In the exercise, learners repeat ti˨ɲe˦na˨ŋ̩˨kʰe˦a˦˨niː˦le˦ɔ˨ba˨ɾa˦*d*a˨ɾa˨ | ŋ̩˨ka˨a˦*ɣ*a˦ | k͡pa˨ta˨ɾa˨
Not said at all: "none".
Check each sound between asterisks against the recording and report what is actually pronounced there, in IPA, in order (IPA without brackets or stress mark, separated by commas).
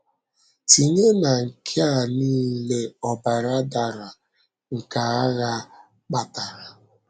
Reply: d, ɣ